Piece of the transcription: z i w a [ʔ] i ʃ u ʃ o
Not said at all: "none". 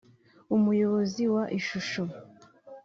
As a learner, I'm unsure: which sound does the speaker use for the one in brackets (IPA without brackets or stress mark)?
ʔ